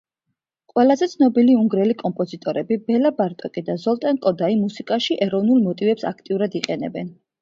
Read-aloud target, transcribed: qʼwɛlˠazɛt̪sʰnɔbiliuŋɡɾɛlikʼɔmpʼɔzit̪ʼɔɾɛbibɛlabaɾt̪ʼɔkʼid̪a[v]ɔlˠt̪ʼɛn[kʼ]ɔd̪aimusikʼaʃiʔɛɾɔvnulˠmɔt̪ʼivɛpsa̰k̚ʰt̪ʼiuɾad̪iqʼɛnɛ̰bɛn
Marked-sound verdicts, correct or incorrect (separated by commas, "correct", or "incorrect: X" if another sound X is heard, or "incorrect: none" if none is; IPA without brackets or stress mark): incorrect: z, correct